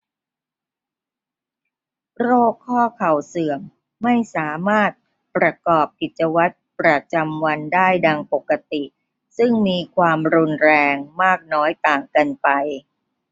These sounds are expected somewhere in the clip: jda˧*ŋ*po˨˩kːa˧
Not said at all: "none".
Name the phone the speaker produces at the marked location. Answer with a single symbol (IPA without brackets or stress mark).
ŋ